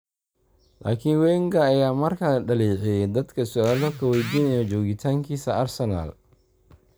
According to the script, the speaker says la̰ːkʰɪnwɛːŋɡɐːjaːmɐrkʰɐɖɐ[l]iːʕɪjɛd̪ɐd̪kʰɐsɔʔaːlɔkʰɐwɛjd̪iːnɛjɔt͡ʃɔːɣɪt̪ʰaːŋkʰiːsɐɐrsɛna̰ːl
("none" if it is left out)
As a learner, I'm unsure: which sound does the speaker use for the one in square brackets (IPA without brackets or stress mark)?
l